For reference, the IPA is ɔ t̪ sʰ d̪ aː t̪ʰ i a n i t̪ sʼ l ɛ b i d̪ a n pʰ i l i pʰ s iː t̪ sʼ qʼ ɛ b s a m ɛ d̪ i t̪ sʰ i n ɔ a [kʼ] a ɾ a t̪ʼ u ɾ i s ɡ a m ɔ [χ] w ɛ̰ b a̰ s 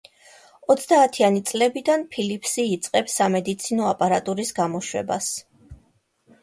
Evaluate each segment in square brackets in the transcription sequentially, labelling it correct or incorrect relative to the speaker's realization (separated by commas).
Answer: incorrect, incorrect